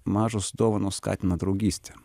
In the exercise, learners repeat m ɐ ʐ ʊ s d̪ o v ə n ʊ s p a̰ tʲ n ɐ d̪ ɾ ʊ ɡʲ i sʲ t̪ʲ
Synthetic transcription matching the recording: m a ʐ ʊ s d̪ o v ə n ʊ s k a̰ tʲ n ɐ d̪ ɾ ʊ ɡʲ i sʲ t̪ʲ

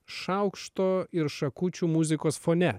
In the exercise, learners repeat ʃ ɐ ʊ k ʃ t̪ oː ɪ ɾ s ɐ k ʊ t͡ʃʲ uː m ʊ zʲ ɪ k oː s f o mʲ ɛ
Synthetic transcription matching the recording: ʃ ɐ ʊ k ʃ t̪ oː ɪ ɾ ʃ ɐ k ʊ t͡ʃʲ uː m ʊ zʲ ɪ k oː s f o nʲ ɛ

